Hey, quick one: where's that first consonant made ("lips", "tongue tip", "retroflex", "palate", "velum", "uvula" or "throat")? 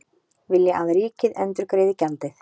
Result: lips